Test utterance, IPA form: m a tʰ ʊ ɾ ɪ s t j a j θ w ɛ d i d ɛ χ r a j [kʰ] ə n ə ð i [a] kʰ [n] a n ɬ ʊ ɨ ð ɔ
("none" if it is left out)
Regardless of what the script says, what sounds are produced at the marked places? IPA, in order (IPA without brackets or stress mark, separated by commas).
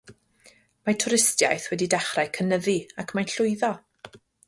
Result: kʰ, a, m